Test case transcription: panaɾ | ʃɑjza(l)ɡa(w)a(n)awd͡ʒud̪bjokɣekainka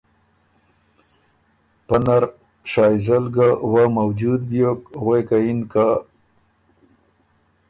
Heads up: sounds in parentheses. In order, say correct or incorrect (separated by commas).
correct, correct, incorrect